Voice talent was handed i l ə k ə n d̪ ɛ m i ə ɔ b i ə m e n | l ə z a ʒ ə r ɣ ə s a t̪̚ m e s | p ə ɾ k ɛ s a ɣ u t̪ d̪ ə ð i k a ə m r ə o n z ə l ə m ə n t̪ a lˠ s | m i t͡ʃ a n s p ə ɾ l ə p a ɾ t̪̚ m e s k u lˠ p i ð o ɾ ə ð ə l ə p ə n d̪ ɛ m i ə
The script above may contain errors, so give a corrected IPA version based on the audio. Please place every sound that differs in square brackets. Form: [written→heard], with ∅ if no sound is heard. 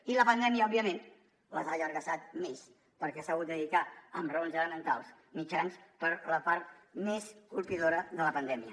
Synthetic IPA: i l ə [k→p] ə n d̪ ɛ m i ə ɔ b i ə m e n | l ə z a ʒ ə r ɣ ə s a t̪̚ m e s | p ə ɾ k ɛ s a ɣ u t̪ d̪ ə ð i k a ə m r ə o n z ə l ə m ə n t̪ a lˠ s | m i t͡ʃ a n s p ə ɾ l ə p a ɾ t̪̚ m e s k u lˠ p i ð o ɾ ə ð ə l ə p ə n d̪ ɛ m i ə